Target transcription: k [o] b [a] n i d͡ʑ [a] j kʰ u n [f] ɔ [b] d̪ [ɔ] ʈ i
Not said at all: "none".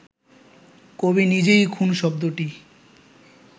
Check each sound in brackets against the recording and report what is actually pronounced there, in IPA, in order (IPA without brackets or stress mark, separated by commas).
o, i, e, ʃ, b, o